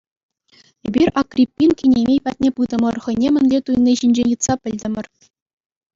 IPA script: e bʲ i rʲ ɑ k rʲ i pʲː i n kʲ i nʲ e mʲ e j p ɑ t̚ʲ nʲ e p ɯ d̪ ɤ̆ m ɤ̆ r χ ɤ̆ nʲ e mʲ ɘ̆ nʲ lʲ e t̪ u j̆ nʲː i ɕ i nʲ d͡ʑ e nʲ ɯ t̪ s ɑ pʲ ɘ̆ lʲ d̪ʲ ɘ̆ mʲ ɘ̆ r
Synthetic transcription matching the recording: e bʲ i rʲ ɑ k rʲ i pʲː i n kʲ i nʲ e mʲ e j p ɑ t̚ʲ nʲ e p ɯ d̪ ɤ̆ m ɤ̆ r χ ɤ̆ nʲ e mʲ ɘ̆ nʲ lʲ e t̪ u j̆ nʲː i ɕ i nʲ d͡ʑ e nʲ ɯ t̪ s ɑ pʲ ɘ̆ lʲ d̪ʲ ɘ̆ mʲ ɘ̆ r